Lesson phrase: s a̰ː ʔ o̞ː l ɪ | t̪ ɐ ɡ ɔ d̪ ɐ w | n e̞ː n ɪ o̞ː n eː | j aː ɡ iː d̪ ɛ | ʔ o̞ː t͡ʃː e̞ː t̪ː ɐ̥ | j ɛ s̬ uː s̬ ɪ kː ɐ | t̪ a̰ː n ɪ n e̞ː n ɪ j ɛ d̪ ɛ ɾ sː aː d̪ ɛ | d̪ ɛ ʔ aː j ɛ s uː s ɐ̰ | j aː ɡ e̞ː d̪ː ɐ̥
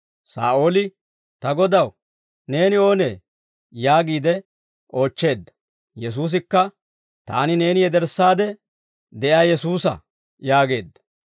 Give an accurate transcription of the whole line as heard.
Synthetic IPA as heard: s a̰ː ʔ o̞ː l ɪ | t̪ ɐ ɡ ɔ d̪ ɐ w | n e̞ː n ɪ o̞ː n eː | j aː ɡ iː d̪ ɛ | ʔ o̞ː t͡ʃː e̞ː d̪ː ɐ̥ | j ɛ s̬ uː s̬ ɪ kː ɐ | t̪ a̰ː n ɪ n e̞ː n ɪ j ɛ d̪ ɛ ɾ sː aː d̪ ɛ | d̪ ɛ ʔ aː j ɛ s uː s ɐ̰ | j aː ɡ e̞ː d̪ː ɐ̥